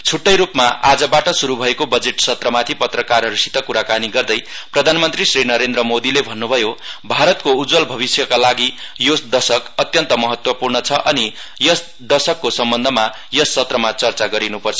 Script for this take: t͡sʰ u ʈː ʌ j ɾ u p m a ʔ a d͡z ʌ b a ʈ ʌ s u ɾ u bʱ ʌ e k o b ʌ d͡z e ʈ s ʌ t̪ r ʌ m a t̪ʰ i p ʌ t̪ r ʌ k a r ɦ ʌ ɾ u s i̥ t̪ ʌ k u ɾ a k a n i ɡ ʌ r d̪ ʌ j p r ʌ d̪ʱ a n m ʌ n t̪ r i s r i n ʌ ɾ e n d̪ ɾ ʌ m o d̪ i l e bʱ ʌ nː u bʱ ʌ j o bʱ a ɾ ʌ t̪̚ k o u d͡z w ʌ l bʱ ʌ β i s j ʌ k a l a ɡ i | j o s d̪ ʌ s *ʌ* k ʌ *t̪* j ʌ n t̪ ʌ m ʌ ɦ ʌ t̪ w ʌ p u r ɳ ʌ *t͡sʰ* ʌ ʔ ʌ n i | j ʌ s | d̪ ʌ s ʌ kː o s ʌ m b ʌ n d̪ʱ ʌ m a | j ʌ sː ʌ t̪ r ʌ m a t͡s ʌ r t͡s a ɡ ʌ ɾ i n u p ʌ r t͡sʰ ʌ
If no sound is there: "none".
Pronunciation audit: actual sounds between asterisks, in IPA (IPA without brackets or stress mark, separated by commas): ʌ, t̪, t͡sʰ